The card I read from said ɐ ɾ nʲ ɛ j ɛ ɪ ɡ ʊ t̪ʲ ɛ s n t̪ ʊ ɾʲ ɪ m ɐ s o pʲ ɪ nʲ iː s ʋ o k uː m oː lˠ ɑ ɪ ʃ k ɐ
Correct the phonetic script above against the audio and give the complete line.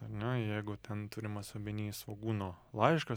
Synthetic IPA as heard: ɐ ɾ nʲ ɛ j ɛ ɪ ɡ ʊ t̪ʲ ɛ n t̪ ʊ ɾʲ ɪ m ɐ s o bʲ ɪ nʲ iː s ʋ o ɡ uː n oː lˠ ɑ ɪ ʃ k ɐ

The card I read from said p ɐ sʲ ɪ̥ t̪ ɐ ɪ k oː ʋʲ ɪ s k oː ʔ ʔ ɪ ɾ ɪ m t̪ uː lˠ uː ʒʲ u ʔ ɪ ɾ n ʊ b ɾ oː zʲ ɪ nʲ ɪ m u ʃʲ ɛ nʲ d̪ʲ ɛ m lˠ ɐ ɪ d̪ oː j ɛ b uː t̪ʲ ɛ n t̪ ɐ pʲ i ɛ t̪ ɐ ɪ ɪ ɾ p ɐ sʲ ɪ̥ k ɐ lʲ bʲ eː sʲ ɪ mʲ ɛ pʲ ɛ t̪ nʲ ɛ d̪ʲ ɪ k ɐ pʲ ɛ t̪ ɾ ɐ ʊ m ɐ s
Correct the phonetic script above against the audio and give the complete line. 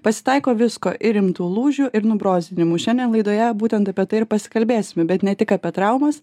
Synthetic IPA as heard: p ɐ sʲ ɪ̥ t̪ ɐ ɪ k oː ʋʲ ɪ s k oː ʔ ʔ ɪ ɾ ɪ m t̪ uː lˠ uː ʒʲ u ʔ ɪ ɾ n ʊ b ɾ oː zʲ ɪ nʲ ɪ m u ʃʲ ɛ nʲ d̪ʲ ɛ n lˠ ɐ ɪ d̪ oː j ɛ b uː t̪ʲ ɛ n t̪ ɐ pʲ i ɛ t̪ ɐ ɪ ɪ ɾ p ɐ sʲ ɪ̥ k ɐ lʲ bʲ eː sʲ ɪ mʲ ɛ bʲ ɛ t̪ nʲ ɛ t̪ʲ ɪ k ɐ pʲ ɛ t̪ ɾ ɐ ʊ m ɐ s

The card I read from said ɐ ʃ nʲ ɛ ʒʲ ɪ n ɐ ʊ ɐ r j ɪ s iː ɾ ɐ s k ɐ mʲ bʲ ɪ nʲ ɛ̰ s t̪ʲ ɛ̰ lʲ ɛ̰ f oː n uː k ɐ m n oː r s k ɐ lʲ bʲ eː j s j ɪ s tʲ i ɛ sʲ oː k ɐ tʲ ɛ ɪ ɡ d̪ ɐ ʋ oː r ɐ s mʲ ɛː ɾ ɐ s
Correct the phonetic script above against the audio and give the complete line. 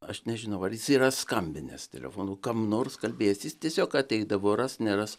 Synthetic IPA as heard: ɐ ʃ nʲ ɛ ʒʲ ɪ n ɐ ʊ ɐ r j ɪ s iː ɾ ɐ s k ɐ mʲ bʲ ɪ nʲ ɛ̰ s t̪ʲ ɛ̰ lʲ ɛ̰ f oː n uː k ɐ m n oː r s k ɐ lʲ bʲ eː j s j ɪ s tʲ i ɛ sʲ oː k ɐ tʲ ɛ ɪ ɡ d̪ ɐ ʋ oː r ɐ s nʲ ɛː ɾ ɐ s

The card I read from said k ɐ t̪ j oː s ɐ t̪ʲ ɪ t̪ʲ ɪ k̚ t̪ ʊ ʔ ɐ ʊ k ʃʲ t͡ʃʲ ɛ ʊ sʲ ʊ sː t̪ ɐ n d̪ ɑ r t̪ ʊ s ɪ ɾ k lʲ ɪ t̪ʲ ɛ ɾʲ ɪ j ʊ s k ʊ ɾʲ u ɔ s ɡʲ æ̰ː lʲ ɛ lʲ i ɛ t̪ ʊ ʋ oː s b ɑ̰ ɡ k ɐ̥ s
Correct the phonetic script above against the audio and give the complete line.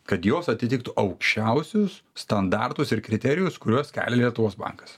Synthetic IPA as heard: k ɐ t̪ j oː s ɐ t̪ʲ ɪ t̪ʲ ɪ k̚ t̪ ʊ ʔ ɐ ʊ k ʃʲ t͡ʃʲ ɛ ʊ sʲ ʊ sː t̪ ɐ n d̪ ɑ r t̪ ʊ s ɪ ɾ k ɾʲ ɪ t̪ʲ ɛ ɾʲ ɪ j ʊ s k ʊ ɾʲ u ɔ s kʲ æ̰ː lʲ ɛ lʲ i ɛ t̪ ʊ ʋ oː s b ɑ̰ ŋ k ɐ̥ s

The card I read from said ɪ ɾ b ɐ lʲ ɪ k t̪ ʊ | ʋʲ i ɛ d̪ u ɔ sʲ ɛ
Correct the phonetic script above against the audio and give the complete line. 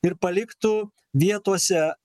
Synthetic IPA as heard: ɪ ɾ p ɐ lʲ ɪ k t̪ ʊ | ʋʲ i ɛ t̪ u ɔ sʲ ɛ

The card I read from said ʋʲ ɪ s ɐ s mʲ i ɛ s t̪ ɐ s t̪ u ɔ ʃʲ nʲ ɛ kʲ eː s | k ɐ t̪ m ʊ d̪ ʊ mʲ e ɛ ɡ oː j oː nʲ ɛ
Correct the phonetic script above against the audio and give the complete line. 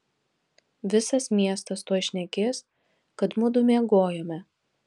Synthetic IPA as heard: ʋʲ ɪ s ɐ s mʲ i ɛ s t̪ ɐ s t̪ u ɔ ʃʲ nʲ ɛ kʲ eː s | k ɐ t̪ m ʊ d̪ ʊ mʲ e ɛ ɡ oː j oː mʲ ɛ

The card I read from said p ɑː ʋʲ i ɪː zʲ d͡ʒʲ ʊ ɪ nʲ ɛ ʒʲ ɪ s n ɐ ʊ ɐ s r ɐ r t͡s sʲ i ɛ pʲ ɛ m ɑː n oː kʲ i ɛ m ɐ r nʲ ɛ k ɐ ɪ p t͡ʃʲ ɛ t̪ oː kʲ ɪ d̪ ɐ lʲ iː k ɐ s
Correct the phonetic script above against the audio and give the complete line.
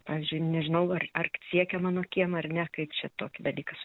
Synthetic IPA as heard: p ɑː ʋʲ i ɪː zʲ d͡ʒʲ ʊ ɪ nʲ ɛ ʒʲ ɪ n ɐ ʊ ɐ r ɐ r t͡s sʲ i ɛ kʲ ɛ m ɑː n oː kʲ i ɛ m ɐ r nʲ ɛ k ɐ ɪ p t͡ʃʲ ɛ t̪ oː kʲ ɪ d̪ ɐ lʲ iː k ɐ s

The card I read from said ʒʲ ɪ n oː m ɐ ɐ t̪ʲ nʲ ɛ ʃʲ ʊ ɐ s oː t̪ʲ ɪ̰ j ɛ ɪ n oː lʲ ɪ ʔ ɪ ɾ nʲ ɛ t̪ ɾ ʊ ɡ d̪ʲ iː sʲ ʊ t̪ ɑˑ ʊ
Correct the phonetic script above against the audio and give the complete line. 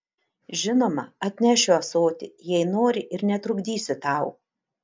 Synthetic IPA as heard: ʒʲ ɪ n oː m ɐ ɐ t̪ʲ nʲ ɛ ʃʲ ʊ ɐ s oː t̪ʲ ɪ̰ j ɛ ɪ n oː ɾʲ ɪ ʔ ɪ ɾ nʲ ɛ t̪ ɾ ʊ ɡ d̪ʲ iː sʲ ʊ t̪ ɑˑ ʊ

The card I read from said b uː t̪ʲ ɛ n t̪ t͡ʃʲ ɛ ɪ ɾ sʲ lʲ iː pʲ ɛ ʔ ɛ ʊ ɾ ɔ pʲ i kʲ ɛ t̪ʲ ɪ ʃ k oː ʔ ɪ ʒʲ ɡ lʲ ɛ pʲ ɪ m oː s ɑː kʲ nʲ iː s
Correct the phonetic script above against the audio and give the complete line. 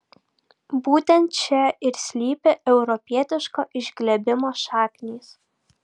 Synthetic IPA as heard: b uː t̪ʲ ɛ n t̪ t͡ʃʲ ɛ ɪ ɾ sʲ lʲ iː pʲ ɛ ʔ ɛ ʊ ɾ ɔ pʲ i ɛ t̪ʲ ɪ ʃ k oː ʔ ɪ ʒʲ ɡ lʲ ɛ bʲ ɪ m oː ʃ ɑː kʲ nʲ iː s

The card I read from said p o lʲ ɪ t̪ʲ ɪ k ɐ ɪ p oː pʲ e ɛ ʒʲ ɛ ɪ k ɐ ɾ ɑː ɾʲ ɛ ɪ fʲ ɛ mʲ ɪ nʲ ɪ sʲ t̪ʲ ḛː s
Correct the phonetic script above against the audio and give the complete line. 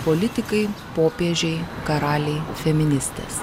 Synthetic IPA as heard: p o lʲ ɪ t̪ʲ ɪ k ɐ ɪ p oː pʲ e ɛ ʒʲ ɛ ɪ k ɐ ɾ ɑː lʲ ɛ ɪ fʲ ɛ mʲ ɪ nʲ ɪ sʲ t̪ʲ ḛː s

